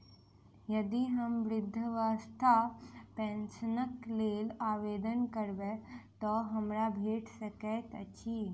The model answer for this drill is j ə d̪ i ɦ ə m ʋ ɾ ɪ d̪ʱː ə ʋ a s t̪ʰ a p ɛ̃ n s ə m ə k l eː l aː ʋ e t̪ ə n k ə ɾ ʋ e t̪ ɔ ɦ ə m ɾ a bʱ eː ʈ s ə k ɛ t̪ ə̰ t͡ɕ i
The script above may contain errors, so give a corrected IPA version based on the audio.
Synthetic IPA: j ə d̪ i ɦ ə m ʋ ɾ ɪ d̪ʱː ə ʋ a s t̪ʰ a p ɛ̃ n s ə n ə k l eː l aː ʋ e d̪ ə n k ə ɾ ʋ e t̪ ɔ ɦ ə m ɾ a bʱ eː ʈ s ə k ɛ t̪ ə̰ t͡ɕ i